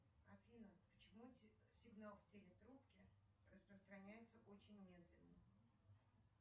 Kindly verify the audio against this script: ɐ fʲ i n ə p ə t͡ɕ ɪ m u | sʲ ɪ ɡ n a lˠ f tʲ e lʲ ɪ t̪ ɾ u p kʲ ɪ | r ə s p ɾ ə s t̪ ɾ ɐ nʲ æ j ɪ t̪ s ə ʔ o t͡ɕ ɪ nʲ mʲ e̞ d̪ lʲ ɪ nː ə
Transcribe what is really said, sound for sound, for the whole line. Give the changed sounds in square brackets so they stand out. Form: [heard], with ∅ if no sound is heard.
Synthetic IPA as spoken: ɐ fʲ i n ə p ə t͡ɕ ɪ m u | sʲ ɪ ɡ n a lˠ f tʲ e lʲ ɪ t̪ ɾ u p kʲ ɪ | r ə s p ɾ ə s t̪ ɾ ɐ nʲ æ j ɪ t̪ s ə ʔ o t͡ɕ ɪ nʲ mʲ e̞ d̪ lʲ ɪ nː ə